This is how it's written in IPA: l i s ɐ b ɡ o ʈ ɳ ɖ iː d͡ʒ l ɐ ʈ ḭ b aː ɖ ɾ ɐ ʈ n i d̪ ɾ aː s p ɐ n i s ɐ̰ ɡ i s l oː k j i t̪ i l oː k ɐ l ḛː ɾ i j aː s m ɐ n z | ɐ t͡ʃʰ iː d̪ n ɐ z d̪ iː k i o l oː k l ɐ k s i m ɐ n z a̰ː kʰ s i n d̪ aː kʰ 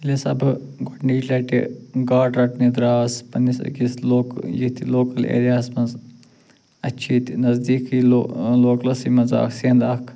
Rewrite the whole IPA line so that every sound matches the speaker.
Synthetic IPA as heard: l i s ɐ b ɡ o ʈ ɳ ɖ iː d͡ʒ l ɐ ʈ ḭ ɡ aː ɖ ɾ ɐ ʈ n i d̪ ɾ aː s p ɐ n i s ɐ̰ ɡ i s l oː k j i t̪ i l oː k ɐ l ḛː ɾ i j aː s m ɐ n z | ɐ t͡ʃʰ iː t̪ n ɐ z d̪ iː k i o l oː k l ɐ s i m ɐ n z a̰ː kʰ s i n d̪ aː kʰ